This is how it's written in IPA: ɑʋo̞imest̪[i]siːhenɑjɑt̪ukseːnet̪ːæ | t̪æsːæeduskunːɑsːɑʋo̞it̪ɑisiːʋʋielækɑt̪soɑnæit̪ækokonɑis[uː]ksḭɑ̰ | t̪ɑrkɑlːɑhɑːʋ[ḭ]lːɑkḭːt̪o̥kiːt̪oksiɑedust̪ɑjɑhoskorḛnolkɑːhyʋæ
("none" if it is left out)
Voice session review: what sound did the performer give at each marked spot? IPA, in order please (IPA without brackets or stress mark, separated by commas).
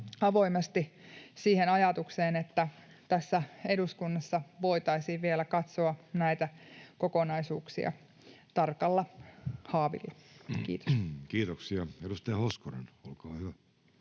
i, uː, ḭ